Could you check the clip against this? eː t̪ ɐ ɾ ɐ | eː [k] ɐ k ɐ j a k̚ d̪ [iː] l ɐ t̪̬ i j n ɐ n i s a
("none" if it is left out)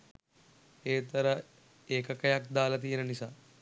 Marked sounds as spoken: k, aː

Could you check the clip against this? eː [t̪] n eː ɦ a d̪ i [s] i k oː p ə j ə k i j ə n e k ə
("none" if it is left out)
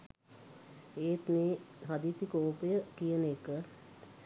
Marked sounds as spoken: t̪, s

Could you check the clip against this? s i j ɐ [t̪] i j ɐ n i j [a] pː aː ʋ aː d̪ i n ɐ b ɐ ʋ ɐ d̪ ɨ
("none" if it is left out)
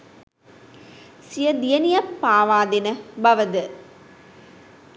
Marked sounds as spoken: d̪, ɐ

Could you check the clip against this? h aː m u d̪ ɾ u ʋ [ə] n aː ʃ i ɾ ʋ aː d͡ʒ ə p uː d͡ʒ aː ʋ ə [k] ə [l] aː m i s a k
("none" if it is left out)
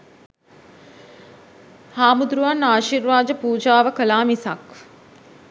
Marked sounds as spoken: a, k, l

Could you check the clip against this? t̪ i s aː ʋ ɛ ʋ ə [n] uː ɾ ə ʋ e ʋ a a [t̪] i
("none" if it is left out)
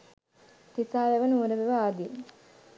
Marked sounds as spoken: n, d̪

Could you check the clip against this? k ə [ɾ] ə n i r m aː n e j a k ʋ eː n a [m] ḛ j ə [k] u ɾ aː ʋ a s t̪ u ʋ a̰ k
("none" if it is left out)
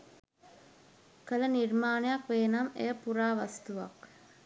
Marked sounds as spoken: l, m, p

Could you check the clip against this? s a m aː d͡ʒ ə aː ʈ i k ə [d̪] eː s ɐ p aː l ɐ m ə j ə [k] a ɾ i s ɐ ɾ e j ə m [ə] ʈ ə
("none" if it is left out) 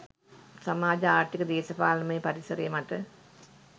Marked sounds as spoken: d̪, p, a

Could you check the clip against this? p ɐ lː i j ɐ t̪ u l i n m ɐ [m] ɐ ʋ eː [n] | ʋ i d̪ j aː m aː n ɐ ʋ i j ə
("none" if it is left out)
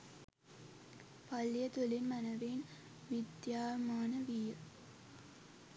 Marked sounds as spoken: n, n

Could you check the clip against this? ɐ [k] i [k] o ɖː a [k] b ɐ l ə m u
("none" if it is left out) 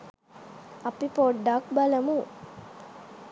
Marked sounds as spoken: p, p, k

